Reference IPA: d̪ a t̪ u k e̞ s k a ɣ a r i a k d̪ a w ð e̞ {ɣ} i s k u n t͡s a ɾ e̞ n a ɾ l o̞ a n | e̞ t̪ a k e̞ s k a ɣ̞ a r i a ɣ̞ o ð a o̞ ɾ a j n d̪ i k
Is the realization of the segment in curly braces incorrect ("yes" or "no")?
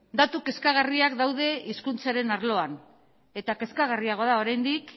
yes